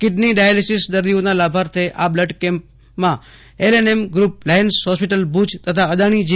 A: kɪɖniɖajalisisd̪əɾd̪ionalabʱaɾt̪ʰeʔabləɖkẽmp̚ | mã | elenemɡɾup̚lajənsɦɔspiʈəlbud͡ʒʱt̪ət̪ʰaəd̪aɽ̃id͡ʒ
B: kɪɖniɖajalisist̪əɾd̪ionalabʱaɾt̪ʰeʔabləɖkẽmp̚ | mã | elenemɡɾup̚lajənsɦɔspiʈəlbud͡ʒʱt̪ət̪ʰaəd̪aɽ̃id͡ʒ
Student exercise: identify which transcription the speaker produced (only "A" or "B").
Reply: A